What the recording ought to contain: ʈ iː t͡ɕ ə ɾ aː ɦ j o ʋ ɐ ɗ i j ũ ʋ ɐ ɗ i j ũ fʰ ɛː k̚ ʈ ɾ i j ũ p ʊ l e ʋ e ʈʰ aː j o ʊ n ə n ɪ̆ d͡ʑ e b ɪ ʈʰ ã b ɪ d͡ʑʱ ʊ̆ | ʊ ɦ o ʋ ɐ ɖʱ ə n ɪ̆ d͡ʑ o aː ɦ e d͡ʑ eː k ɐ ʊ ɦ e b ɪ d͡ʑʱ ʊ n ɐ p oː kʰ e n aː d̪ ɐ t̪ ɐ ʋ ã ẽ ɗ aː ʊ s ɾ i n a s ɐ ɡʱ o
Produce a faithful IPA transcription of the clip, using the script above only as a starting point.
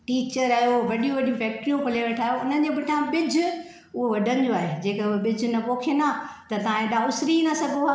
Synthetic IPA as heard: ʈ iː t͡ɕ ə ɾ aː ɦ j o ʋ ɐ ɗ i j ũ ʋ ɐ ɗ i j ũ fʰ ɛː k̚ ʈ ɾ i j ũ p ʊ l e ʋ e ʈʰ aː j o ʊ n ə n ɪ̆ d͡ʑ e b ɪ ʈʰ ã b ɪ d͡ʑʱ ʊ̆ | ʊ ɦ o ʋ ɐ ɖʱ ə n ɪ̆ d͡ʑ o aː ɦ e d͡ʑ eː k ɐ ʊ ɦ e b ɪ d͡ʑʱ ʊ n ɐ p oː kʰ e n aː t̪ ɐ t̪ ɐ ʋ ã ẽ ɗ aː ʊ s ɾ i n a s ɐ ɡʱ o